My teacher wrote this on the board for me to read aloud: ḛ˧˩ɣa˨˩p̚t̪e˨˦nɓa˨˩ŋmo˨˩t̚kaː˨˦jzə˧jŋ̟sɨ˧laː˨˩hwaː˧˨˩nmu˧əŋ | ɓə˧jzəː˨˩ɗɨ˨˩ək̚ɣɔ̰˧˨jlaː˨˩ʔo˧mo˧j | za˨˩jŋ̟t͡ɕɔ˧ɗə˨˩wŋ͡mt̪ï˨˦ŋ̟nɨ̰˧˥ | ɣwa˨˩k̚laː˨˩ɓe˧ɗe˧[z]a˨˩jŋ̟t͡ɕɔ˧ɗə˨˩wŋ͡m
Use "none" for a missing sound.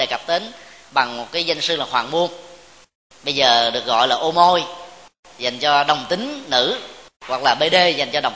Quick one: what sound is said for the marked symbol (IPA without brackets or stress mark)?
z